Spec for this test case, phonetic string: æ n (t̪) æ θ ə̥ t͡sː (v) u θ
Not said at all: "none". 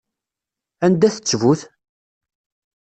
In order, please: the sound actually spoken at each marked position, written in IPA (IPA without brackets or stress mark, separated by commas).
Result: d̪, v